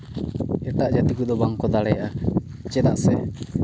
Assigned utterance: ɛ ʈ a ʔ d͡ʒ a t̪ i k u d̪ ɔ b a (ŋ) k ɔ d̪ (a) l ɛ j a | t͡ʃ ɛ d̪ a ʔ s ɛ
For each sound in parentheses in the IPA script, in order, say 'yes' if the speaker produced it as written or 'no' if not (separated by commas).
yes, yes